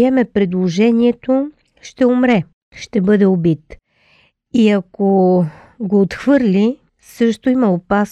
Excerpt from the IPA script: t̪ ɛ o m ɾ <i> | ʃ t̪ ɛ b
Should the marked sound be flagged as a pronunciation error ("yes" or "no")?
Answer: yes